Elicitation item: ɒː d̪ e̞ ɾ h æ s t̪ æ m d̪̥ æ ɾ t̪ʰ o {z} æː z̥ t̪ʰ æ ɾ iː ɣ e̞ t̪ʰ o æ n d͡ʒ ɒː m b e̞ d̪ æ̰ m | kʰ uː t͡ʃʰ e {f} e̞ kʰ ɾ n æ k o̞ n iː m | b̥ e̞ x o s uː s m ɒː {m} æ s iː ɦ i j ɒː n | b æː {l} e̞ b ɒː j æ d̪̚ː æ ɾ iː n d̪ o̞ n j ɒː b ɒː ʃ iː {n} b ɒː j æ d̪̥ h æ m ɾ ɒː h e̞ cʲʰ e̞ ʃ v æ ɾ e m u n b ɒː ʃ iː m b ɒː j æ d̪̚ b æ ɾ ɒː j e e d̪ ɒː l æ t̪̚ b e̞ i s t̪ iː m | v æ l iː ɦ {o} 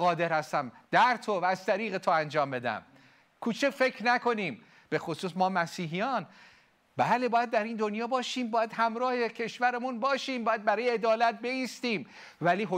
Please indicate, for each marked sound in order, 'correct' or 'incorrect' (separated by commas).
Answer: incorrect, correct, correct, correct, incorrect, correct